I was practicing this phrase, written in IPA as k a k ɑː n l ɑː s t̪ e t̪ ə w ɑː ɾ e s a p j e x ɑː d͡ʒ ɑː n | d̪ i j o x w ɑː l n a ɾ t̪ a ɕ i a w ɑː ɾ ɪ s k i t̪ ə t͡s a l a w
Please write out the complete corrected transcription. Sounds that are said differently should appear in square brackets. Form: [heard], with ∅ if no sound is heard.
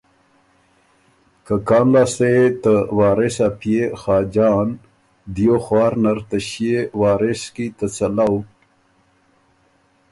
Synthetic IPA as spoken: k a k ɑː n l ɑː s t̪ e t̪ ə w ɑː ɾ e s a p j e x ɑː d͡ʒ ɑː n | d̪ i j o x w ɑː [ɾ] n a ɾ t̪ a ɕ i [e] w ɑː ɾ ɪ s k i t̪ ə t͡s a l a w